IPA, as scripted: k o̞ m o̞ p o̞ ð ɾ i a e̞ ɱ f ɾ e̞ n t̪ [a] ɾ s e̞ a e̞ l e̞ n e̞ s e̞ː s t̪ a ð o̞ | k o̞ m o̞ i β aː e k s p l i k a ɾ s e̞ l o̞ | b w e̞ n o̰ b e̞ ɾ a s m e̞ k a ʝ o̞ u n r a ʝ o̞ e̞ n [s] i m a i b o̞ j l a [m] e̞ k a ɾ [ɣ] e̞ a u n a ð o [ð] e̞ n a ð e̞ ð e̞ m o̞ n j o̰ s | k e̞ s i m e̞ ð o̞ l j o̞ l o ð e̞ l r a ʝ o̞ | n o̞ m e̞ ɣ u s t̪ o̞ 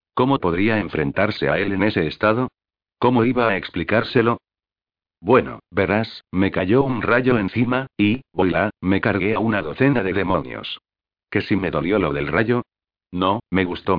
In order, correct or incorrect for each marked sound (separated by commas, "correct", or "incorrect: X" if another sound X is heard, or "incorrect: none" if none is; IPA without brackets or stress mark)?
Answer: correct, incorrect: θ, correct, correct, incorrect: θ